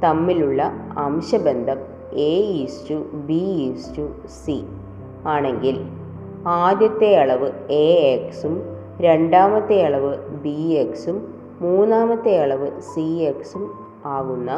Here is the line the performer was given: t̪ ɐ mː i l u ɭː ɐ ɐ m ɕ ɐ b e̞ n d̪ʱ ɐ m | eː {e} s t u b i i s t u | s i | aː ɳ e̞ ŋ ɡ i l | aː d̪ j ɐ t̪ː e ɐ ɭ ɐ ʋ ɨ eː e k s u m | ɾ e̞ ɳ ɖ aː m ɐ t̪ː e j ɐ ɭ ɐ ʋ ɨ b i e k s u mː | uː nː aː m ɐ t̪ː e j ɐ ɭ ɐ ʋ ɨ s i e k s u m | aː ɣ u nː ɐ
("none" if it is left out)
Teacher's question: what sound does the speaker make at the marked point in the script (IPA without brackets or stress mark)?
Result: i